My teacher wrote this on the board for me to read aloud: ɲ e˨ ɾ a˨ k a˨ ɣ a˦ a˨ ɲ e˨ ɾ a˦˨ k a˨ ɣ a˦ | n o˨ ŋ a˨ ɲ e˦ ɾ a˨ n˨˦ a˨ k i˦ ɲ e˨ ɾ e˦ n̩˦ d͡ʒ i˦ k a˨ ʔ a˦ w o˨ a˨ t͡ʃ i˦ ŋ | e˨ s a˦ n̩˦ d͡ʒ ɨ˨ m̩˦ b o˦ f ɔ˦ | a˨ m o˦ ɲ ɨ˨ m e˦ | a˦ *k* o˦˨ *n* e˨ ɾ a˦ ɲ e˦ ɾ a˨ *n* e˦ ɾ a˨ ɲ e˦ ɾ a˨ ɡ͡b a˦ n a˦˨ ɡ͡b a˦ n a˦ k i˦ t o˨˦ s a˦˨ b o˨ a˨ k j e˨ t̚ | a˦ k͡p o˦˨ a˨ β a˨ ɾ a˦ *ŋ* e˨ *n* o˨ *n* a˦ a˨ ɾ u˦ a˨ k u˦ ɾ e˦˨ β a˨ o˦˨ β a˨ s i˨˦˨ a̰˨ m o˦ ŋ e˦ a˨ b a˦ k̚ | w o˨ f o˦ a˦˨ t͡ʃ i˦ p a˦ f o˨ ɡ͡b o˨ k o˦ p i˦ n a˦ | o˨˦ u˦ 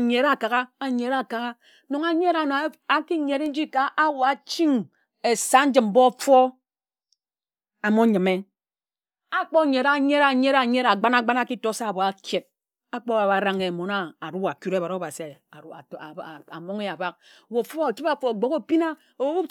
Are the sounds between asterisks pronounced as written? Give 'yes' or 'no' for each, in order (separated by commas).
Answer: no, no, no, yes, no, yes